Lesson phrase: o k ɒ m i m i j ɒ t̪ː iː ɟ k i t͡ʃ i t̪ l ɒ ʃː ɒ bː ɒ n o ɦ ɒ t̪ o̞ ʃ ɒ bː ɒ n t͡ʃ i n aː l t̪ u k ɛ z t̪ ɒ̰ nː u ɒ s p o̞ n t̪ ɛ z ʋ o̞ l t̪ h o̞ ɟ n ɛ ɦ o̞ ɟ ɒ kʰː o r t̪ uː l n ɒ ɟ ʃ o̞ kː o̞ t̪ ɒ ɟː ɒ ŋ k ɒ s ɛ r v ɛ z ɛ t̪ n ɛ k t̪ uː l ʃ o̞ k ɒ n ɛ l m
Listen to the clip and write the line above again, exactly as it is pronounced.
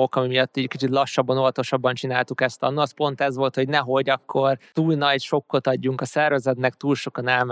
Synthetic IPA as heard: o k ɒ m i m i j ɒ t̪ː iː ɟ k i t͡ʃ i t̪ l ɒ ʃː ɒ bː ɒ n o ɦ ɒ t̪ o̞ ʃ ɒ bː ɒ n t͡ʃ i n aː l t̪ u k ɛ s t̪ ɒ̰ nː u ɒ s p o̞ n t̪ ɛ z ʋ o̞ l t̪ h o̞ ɟ n ɛ ɦ o̞ ɟ ɒ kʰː o r t̪ uː l n ɒ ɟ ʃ o̞ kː o̞ t̪ ɒ ɟː u ŋ k ɒ s ɛ r v ɛ z ɛ t̪ n ɛ k t̪ uː l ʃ o̞ k ɒ n ɛ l m